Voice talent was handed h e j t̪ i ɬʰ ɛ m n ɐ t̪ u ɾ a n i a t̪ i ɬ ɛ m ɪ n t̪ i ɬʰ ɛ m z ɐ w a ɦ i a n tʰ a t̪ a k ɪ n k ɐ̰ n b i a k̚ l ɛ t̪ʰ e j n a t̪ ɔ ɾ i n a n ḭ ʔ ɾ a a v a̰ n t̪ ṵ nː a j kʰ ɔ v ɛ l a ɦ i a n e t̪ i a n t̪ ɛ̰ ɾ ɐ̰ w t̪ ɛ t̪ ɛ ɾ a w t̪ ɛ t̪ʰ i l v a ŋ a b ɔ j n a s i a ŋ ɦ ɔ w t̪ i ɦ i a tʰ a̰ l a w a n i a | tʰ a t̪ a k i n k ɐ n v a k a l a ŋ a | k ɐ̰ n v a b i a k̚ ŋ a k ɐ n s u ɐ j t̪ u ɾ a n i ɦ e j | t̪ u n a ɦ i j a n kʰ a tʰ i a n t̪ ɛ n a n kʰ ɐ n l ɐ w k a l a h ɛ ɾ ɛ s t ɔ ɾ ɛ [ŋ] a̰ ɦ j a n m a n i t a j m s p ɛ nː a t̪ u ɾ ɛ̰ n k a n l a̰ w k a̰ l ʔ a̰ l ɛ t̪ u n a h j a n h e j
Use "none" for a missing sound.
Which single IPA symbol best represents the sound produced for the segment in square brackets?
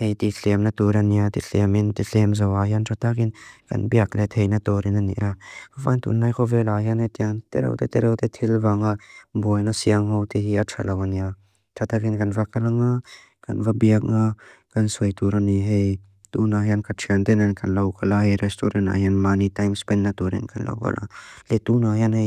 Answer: n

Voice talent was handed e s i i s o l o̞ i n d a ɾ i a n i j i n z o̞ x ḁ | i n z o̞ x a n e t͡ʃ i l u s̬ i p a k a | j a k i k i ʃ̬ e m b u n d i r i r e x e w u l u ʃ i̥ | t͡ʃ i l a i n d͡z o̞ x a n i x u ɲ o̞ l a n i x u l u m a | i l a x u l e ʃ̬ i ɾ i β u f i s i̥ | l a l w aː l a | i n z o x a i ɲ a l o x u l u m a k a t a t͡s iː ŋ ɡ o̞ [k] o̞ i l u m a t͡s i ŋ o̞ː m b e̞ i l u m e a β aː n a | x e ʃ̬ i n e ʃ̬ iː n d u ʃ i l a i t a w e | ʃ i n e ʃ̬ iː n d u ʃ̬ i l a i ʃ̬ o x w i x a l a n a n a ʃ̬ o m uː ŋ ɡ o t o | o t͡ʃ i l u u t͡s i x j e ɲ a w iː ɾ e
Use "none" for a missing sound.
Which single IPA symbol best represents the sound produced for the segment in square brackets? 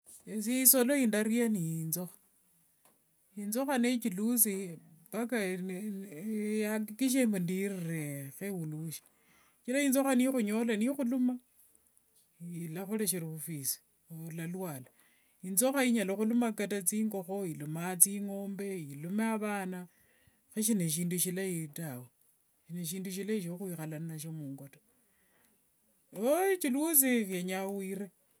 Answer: x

